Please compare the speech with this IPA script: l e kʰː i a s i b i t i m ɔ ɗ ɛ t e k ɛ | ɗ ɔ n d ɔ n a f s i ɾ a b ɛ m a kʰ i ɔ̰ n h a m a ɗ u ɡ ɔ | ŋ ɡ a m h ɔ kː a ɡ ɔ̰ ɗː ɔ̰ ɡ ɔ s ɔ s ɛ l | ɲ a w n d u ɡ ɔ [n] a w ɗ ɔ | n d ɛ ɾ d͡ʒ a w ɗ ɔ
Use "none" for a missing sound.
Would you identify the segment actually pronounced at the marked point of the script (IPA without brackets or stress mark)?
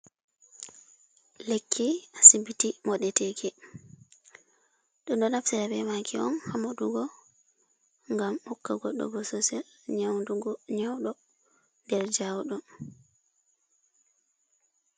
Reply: ɲ